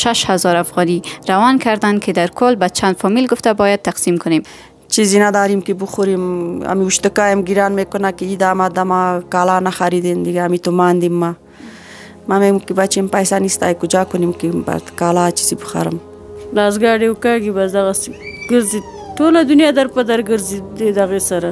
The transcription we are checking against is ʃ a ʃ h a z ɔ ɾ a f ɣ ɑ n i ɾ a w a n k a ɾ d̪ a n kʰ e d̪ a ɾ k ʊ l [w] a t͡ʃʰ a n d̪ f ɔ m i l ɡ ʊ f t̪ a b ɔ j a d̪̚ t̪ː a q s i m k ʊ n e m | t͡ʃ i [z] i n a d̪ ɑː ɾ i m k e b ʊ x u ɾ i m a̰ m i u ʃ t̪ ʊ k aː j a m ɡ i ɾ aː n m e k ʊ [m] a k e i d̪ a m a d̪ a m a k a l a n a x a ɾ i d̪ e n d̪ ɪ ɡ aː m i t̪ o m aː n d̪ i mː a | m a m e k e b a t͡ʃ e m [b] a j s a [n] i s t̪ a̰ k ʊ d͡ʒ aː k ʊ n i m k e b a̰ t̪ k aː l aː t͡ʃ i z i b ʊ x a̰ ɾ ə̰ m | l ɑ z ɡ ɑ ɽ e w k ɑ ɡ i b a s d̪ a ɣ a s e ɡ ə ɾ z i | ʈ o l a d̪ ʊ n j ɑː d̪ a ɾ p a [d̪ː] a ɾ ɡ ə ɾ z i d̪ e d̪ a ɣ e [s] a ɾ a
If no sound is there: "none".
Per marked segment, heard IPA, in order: b, z, n, p, n, d̪, s

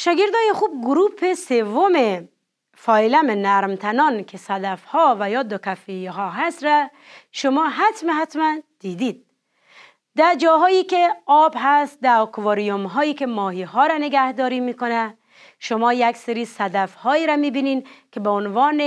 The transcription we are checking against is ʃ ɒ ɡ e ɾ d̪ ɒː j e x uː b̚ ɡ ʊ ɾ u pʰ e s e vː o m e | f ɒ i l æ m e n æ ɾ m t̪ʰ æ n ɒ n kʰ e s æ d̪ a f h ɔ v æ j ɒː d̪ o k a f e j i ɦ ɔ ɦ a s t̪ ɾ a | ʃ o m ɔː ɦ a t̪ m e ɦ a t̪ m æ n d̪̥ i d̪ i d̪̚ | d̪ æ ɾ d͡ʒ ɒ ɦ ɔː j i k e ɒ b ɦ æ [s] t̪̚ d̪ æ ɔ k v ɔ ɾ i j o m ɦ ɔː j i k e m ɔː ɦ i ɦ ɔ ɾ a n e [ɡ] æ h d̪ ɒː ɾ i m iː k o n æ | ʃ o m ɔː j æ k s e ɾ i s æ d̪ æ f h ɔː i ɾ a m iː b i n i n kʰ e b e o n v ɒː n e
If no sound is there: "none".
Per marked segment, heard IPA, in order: s, ɡ

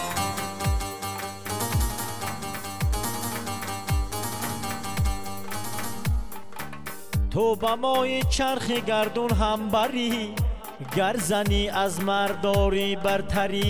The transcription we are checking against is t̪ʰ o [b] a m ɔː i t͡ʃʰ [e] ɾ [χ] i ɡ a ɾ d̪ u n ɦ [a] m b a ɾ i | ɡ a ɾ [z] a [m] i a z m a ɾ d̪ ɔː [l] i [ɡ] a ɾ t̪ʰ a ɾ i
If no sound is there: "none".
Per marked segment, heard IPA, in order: b, a, χ, a, z, n, ɾ, b

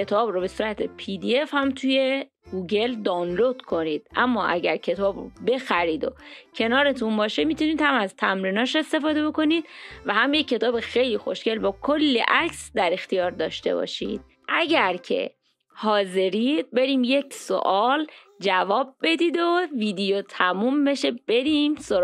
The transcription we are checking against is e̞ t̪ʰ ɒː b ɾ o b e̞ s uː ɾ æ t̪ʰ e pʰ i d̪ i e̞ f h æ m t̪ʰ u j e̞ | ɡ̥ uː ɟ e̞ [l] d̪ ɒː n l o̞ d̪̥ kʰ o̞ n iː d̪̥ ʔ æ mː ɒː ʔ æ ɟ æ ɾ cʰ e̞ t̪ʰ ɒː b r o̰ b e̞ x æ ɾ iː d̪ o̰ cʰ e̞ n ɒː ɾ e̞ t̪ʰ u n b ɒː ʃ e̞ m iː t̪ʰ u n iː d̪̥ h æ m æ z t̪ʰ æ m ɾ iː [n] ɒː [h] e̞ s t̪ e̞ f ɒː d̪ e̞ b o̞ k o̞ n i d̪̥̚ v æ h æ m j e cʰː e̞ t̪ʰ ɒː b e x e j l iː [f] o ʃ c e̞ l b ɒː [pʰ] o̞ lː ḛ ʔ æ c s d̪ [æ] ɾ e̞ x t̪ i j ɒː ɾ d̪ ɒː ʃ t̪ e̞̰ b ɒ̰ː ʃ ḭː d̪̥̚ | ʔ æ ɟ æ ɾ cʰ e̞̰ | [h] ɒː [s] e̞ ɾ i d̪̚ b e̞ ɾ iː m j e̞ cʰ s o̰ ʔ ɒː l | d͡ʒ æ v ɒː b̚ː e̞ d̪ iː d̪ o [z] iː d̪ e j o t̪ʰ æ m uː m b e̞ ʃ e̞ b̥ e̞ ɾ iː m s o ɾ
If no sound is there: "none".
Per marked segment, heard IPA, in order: l, n, ʃ, x, kʰ, æ, h, z, v

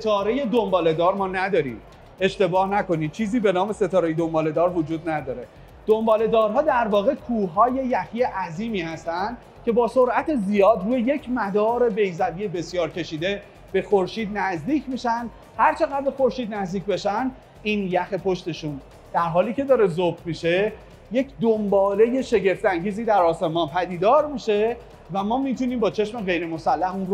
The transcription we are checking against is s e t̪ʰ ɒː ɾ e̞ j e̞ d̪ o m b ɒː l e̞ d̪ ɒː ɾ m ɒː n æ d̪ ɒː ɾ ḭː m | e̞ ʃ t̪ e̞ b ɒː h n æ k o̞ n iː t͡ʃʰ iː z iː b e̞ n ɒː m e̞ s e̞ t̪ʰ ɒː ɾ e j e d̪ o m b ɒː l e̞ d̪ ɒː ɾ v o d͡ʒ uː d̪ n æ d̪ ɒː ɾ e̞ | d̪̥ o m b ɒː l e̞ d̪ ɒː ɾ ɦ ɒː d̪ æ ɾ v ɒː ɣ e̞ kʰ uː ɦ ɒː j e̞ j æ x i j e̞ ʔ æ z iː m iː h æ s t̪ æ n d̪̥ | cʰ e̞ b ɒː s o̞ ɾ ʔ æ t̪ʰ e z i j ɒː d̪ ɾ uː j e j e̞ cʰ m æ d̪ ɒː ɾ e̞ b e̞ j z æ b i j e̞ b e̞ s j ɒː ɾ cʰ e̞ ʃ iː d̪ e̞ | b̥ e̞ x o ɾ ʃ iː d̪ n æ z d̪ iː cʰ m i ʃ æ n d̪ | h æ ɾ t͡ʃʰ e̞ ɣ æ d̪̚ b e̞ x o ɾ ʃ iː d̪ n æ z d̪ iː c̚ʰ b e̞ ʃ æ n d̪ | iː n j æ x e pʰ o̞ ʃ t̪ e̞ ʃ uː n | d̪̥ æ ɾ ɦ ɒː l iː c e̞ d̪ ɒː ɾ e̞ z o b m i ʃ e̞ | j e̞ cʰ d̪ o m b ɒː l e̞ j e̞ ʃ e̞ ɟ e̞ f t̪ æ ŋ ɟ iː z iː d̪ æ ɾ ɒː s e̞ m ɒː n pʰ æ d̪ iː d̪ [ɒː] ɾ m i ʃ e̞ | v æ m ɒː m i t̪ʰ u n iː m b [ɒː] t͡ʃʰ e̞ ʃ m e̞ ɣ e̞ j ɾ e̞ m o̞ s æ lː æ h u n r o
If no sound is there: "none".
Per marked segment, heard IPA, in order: ɒː, ɒː

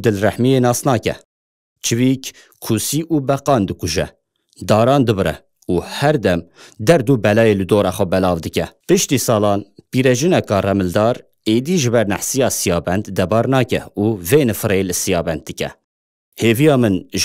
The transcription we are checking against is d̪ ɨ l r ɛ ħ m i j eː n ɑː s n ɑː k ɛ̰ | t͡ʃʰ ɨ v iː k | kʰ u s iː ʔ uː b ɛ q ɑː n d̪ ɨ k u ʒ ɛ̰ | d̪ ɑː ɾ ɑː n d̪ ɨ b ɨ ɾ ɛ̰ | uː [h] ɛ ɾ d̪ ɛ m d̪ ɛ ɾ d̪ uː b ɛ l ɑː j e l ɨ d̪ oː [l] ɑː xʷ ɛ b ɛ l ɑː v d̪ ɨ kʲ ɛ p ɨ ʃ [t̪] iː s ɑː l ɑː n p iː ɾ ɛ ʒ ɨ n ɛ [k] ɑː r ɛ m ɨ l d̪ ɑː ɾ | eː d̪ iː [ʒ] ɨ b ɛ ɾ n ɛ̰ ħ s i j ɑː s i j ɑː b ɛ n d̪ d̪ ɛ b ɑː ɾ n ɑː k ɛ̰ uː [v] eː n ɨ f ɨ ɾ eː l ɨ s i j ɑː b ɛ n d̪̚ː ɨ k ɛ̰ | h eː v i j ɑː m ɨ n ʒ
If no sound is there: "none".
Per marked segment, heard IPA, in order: h, ɾ, t̪, k, ʒ, v

